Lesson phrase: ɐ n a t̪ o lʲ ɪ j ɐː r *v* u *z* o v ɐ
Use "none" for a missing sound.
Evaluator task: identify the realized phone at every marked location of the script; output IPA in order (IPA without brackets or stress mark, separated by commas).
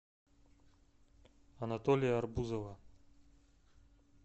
b, z